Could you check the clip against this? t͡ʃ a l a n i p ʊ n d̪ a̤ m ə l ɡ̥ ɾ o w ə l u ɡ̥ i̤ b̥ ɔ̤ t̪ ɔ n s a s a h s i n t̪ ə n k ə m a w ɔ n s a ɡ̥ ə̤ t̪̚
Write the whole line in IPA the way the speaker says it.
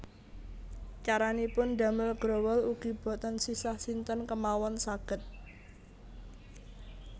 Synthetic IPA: t͡ʃ a ɾ a n i p ʊ n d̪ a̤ m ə l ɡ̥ ɾ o w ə l u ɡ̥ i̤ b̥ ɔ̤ t̪ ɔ n s i s a h s i n t̪ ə n k ə m a w ɔ n s a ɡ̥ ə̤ t̪̚